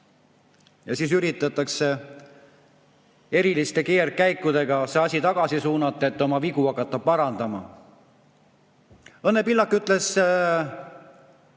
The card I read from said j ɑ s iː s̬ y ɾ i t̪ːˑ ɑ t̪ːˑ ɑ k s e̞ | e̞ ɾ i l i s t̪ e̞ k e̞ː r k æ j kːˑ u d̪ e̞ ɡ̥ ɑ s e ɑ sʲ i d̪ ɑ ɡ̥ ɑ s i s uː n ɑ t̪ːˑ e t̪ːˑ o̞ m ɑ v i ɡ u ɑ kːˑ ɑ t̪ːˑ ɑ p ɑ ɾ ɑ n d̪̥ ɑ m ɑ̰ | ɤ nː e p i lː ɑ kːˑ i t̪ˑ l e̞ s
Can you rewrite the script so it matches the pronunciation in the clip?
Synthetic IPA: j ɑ s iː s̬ y ɾ i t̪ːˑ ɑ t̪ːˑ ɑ k s e̞ | e̞ ɾ i l i s t̪ e̞ k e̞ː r k æ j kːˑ u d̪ e̞ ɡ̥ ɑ s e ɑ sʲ i t̪ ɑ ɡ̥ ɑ s i s uː n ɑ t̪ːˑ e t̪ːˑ o̞ m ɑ v i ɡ u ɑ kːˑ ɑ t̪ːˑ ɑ p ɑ ɾ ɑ n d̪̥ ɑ m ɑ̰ | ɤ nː e p i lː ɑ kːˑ y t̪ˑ l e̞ s